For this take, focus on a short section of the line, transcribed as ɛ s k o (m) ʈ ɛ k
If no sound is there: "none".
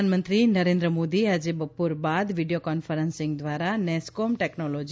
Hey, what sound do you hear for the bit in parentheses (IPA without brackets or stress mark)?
m